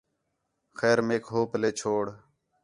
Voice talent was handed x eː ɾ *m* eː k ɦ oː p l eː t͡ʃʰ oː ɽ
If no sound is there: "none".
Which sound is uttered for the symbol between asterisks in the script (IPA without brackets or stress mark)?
m